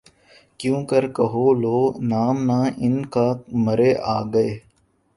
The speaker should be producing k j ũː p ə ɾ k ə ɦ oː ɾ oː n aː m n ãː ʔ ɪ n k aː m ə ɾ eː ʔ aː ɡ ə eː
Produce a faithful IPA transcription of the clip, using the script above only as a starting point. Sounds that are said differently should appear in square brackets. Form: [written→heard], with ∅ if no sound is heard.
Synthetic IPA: k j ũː [p→k] ə ɾ k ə ɦ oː [ɾ→l] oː n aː m n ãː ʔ ɪ n k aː m ə ɾ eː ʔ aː ɡ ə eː